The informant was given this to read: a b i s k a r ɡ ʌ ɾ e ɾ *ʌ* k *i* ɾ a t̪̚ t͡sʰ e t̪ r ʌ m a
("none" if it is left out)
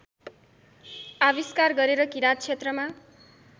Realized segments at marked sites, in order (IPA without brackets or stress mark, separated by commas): ʌ, i